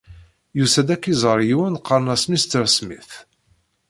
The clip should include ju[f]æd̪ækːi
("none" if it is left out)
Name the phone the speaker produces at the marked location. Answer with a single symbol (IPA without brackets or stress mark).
s